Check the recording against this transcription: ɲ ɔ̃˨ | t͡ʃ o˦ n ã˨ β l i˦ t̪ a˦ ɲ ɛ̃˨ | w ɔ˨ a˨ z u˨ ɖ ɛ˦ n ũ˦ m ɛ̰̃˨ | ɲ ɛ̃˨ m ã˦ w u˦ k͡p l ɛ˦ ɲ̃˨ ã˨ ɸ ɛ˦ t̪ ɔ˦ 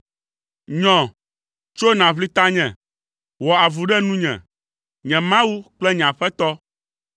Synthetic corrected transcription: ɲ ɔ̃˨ | t͡ʃ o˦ n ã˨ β l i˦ t̪ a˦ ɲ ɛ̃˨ | w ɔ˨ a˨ v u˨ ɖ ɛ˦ n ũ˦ ɲ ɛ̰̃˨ | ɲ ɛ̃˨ m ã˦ w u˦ k͡p l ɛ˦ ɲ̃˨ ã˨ ɸ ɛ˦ t̪ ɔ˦